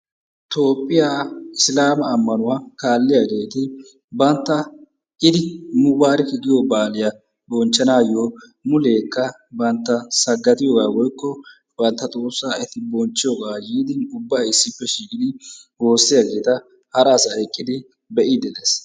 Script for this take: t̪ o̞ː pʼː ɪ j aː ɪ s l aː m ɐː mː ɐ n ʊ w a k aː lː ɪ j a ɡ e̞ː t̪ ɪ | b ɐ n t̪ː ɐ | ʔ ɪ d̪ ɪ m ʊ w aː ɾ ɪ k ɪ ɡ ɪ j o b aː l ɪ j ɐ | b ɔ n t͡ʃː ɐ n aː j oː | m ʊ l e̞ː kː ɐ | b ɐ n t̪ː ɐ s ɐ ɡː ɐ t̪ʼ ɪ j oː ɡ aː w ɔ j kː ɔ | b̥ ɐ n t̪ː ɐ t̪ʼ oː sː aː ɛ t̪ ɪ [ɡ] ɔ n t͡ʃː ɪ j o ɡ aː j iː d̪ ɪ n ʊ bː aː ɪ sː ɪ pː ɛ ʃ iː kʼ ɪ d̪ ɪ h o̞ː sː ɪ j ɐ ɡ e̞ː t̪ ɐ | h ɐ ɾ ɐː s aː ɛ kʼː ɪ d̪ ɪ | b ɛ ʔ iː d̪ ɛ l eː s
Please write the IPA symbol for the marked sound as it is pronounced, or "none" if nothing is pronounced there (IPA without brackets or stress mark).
b